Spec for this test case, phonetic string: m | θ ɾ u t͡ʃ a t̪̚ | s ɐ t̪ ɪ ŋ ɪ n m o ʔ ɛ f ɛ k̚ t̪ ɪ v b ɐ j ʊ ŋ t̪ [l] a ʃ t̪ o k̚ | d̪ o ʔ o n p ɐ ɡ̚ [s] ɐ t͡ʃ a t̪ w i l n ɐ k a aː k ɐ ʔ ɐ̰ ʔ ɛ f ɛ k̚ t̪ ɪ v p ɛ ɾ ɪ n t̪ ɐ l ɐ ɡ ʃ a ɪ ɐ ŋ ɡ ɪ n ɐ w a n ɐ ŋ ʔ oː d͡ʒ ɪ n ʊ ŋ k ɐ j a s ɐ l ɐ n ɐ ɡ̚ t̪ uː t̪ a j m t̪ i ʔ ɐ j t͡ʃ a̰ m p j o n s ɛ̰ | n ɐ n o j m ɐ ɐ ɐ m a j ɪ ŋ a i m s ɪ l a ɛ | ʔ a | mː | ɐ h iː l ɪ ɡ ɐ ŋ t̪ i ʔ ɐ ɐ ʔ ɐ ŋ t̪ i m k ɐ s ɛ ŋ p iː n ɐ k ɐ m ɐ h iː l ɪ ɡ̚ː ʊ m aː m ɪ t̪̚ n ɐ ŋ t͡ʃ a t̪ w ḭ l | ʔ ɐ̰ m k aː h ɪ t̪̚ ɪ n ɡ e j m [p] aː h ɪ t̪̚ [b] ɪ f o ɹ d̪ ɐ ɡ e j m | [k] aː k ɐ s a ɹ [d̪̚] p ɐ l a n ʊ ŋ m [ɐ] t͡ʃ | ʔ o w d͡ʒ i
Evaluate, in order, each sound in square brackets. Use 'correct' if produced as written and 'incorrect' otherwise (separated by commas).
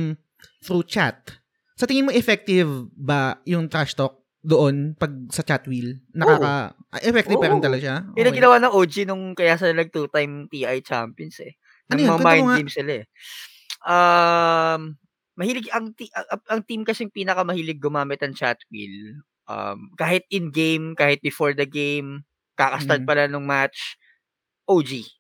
incorrect, correct, incorrect, correct, correct, incorrect, incorrect